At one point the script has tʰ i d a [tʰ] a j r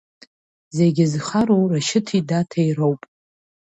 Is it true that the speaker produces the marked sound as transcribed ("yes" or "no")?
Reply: yes